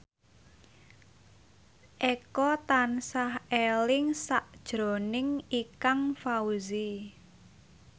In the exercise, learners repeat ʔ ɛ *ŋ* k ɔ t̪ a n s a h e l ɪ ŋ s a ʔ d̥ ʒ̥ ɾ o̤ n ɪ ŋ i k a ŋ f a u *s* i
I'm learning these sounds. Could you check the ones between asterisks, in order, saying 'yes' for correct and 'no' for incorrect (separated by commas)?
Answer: no, no